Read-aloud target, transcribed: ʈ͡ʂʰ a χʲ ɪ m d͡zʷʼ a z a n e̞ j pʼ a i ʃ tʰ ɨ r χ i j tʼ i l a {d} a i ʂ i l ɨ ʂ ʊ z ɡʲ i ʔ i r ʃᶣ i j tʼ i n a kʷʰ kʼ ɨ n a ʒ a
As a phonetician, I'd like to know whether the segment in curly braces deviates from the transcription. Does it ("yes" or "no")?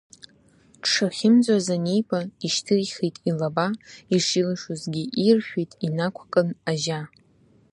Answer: yes